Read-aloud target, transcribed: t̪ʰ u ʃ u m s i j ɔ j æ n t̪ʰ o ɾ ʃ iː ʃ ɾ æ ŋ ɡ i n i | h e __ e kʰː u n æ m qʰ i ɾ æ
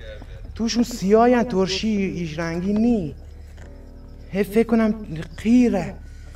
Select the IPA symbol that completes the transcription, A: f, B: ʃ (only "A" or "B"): A